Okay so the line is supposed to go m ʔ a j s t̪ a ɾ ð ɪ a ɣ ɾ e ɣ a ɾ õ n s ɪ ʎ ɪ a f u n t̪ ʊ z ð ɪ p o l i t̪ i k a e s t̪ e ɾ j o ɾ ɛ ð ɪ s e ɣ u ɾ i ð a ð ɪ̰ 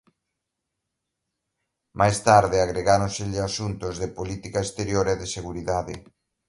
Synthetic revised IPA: m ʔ a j s t̪ a ɾ ð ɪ a ɣ ɾ e ɣ a ɾ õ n s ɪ ʎ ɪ a s u n t̪ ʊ z ð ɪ p o l i t̪ i k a e s t̪ e ɾ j o ɾ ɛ ð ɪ s e ɣ u ɾ i ð a ð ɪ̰